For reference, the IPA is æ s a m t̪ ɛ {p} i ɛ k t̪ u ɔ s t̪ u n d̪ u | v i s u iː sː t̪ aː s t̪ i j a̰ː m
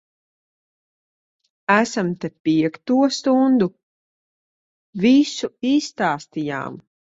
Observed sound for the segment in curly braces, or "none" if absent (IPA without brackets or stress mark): p